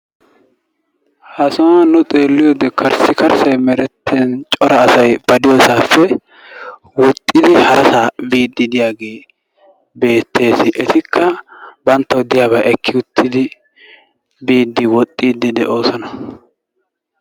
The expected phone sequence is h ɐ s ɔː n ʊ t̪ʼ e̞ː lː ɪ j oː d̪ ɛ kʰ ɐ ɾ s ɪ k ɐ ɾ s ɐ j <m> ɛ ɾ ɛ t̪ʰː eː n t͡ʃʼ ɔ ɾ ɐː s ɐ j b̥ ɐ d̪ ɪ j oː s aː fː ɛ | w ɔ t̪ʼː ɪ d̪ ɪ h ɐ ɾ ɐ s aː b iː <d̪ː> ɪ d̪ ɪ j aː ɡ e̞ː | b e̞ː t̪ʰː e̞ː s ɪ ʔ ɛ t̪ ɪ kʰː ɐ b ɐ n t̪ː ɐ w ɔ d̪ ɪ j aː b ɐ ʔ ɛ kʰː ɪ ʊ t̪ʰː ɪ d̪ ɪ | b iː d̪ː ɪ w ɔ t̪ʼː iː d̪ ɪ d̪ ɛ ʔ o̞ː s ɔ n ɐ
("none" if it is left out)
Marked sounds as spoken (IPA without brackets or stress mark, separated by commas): m, d̪ː